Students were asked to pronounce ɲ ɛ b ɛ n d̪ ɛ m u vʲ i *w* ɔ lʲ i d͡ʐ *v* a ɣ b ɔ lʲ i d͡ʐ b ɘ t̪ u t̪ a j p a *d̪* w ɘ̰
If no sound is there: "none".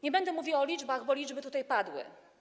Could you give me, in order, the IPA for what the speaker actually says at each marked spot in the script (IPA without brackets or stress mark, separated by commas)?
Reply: w, b, d̪